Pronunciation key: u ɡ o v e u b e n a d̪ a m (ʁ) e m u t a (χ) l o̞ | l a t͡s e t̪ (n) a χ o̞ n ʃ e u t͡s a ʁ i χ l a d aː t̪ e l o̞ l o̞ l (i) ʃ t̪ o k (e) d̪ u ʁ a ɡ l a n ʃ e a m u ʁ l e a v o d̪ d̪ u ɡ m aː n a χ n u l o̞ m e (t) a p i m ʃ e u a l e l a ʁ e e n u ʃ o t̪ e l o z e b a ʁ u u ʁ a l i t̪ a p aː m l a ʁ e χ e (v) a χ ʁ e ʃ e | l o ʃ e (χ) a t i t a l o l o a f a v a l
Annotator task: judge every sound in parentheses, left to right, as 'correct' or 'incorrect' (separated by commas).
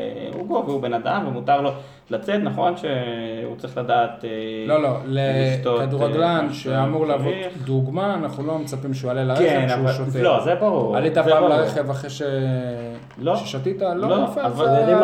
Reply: incorrect, incorrect, correct, incorrect, incorrect, incorrect, correct, incorrect